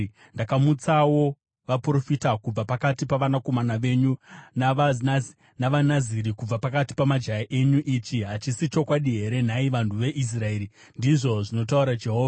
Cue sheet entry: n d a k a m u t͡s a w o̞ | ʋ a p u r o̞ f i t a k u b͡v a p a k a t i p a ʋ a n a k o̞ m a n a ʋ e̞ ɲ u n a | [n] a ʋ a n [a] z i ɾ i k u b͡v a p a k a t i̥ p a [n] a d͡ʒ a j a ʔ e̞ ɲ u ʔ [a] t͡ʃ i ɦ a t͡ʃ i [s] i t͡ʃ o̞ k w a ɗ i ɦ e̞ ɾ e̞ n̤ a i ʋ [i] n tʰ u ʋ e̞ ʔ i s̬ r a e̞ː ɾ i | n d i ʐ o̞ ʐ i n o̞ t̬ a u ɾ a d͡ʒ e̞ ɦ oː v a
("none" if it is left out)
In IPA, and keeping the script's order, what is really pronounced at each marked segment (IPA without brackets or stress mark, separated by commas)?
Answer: n, a, m, i, s, a